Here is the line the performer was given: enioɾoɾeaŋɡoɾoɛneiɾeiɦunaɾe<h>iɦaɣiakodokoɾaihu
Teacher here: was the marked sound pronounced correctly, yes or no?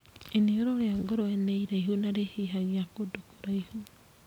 yes